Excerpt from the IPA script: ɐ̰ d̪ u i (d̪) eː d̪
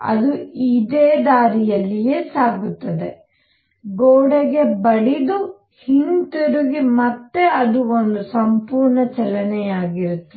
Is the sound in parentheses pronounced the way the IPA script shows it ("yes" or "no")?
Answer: yes